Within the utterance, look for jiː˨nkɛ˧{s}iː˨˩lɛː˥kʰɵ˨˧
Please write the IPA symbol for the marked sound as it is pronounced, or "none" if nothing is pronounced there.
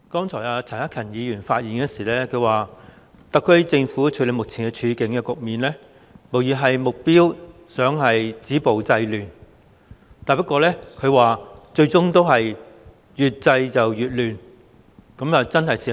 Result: s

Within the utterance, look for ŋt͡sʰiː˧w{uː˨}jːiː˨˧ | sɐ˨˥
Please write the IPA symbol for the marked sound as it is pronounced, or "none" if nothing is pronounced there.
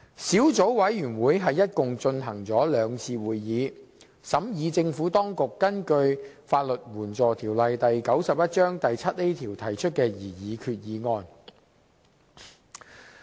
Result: uː˨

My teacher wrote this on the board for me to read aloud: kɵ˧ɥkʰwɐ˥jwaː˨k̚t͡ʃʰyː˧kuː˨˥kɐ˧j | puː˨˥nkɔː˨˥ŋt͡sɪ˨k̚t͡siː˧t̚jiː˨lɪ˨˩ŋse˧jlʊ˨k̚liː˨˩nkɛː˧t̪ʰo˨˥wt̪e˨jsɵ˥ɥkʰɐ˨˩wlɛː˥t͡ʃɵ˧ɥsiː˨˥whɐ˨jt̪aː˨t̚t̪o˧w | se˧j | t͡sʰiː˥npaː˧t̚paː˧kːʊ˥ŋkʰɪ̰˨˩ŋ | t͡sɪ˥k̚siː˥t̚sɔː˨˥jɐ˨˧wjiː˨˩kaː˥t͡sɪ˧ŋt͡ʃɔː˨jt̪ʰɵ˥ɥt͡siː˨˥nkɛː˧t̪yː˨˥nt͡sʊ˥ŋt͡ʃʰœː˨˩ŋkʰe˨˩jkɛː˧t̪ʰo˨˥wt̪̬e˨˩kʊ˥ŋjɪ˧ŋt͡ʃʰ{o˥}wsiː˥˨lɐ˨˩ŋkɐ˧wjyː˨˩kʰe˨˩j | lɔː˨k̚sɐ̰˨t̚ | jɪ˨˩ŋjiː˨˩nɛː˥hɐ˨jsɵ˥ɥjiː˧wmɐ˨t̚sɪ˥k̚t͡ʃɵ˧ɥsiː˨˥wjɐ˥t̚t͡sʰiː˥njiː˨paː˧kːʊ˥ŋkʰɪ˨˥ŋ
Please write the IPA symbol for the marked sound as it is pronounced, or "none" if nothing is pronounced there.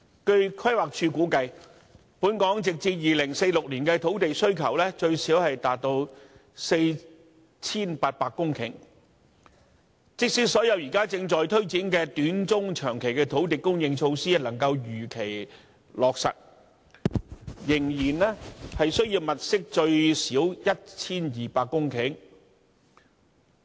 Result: o˧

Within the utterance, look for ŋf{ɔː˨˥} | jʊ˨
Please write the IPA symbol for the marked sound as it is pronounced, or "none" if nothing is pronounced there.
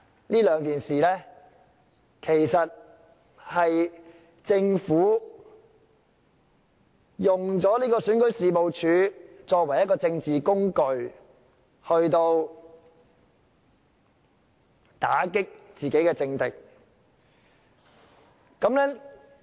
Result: uː˨˥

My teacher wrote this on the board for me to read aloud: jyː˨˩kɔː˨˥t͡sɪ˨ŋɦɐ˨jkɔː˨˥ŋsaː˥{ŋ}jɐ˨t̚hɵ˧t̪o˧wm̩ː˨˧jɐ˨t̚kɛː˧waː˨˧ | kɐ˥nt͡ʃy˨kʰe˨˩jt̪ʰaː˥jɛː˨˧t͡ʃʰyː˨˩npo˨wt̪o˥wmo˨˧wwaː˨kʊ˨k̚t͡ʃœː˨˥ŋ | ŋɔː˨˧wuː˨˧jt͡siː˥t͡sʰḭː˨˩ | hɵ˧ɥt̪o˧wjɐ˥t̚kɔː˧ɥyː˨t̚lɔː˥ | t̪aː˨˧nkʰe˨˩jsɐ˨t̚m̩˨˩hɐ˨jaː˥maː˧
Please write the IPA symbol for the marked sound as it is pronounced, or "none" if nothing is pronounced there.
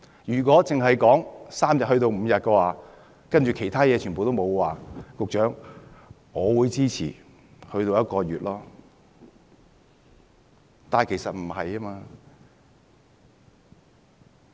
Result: m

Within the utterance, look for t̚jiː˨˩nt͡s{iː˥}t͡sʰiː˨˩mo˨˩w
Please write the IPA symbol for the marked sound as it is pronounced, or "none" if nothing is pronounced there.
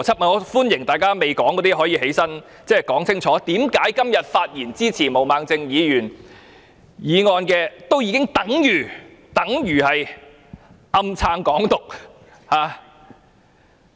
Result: iː˥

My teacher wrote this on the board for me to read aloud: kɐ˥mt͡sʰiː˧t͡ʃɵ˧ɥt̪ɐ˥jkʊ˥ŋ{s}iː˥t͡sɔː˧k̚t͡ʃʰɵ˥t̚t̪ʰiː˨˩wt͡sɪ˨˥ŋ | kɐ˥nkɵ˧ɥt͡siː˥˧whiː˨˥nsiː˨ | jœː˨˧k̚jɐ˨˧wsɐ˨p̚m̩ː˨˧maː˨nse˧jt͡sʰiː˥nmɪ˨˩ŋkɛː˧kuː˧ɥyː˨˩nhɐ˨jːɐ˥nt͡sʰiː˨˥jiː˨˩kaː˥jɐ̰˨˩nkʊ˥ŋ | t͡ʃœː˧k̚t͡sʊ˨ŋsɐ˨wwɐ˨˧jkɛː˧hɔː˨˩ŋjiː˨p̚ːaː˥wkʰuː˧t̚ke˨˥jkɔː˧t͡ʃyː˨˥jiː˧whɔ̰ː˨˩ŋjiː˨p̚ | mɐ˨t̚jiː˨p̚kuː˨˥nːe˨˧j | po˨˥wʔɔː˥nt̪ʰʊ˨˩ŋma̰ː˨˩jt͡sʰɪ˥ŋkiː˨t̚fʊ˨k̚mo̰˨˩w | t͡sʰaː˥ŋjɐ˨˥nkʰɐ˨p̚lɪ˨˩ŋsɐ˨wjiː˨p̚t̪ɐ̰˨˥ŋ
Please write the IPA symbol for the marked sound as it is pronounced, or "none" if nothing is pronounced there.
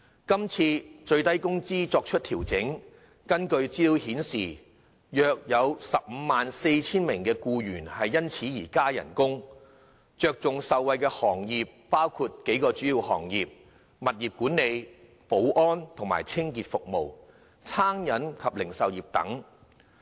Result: t͡s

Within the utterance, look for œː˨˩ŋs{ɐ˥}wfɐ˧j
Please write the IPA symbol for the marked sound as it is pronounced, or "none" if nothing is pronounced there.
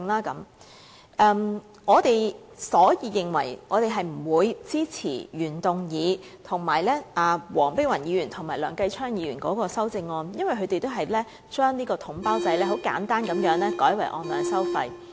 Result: ɐ˥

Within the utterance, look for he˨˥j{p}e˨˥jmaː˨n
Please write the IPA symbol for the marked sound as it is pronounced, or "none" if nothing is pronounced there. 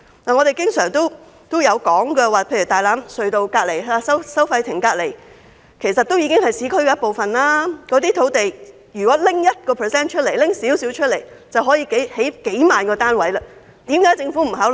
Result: k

